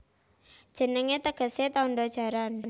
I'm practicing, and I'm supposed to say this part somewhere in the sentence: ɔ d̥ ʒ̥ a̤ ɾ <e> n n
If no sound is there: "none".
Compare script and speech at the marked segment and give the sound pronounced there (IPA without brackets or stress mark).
a